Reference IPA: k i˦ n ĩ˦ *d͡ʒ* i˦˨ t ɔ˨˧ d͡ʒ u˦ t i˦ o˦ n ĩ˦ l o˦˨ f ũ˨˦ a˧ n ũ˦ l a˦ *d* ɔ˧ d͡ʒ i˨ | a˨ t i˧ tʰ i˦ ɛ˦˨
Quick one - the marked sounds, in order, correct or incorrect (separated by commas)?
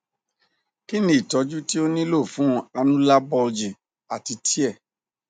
incorrect, incorrect